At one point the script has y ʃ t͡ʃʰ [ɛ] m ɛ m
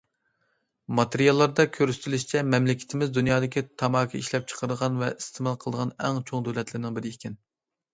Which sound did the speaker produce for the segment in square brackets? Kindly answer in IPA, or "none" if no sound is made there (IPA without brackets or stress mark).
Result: ɛ